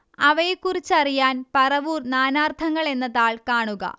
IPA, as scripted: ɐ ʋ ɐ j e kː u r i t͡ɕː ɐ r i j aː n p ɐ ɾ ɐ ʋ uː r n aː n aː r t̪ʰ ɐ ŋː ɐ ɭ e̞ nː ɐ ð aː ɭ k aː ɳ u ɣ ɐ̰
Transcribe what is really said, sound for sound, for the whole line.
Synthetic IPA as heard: ɐ ʋ ɐ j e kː u r i t͡ɕː ɐ r i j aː n p ɐ r ɐ ʋ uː r n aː n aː r t̪ʰ ɐ ŋː ɐ ɭ e̞ nː ɐ ð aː ɭ k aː ɳ u ɣ ɐ̰